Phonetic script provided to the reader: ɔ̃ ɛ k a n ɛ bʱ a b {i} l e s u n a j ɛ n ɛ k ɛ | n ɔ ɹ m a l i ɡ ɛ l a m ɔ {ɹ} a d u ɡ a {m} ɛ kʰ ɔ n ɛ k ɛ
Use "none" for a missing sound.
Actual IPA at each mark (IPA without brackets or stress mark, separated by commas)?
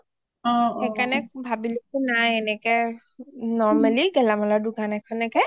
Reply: i, l, n